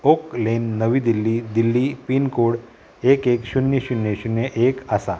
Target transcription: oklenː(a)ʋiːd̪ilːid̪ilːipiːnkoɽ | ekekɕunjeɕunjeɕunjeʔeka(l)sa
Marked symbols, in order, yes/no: no, no

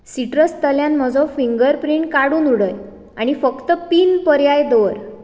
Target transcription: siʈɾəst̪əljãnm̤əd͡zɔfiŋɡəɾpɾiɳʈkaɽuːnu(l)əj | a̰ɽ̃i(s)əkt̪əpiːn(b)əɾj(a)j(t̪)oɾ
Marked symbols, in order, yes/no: no, no, no, yes, no

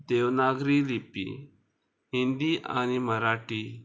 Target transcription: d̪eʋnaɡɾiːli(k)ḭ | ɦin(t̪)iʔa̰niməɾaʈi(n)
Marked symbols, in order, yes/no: no, no, no

